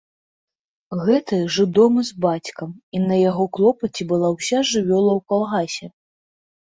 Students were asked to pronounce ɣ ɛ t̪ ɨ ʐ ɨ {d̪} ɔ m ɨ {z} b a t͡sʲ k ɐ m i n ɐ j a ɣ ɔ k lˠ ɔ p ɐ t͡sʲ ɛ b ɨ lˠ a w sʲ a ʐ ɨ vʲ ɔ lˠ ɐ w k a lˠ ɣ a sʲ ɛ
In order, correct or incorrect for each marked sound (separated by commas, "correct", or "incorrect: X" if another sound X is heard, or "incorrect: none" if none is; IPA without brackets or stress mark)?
correct, correct